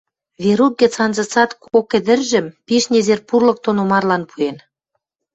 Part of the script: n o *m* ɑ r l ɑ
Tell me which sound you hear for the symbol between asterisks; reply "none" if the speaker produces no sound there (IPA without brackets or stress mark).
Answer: m